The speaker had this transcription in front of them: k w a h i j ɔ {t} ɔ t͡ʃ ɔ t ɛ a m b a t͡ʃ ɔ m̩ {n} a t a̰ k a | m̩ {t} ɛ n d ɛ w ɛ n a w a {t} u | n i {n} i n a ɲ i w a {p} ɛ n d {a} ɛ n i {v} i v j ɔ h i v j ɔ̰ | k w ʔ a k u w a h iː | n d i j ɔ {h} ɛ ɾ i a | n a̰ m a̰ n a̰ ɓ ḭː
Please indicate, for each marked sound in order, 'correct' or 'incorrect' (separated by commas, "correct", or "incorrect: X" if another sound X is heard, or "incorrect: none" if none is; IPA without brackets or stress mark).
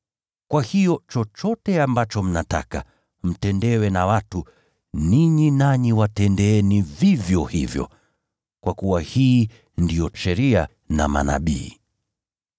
incorrect: t͡ʃ, correct, correct, correct, incorrect: ɲ, incorrect: t, incorrect: ɛ, correct, incorrect: ʃ